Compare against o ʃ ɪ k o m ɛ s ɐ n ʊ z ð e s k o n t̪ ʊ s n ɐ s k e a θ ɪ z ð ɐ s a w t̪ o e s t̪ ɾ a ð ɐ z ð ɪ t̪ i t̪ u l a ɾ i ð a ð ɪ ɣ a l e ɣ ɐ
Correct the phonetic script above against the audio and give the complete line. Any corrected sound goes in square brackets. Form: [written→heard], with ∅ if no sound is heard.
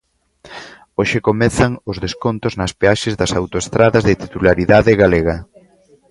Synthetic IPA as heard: o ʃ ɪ k o m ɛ [s→θ] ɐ [n→ŋ] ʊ z ð e s k o n t̪ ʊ [s→z] n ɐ s [k→p] e a [θ→ʃ] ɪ z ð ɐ s a w t̪ o e s t̪ ɾ a ð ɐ z ð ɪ t̪ i t̪ u l a ɾ i ð a ð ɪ ɣ a l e ɣ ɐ